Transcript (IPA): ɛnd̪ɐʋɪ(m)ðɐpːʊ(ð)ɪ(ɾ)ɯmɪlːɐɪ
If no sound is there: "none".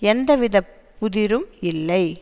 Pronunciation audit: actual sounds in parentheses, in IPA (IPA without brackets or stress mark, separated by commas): none, ð, ɾ